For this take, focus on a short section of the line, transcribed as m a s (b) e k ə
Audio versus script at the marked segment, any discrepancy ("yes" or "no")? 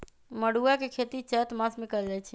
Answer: yes